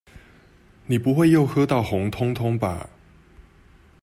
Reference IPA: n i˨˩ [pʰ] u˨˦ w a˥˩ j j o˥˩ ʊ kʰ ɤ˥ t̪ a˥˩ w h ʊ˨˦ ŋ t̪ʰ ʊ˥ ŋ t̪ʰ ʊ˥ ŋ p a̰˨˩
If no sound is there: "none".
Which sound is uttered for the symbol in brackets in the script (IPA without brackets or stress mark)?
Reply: p